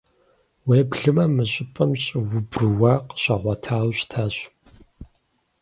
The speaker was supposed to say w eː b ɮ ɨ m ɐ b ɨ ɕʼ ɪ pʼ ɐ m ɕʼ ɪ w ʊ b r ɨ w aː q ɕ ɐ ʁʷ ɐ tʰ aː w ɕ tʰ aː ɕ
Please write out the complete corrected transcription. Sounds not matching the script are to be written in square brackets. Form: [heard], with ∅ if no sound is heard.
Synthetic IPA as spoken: w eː b ɮ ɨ m ɐ [m] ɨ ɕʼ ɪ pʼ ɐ m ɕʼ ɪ w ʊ b r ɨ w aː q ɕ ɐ ʁʷ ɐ tʰ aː w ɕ tʰ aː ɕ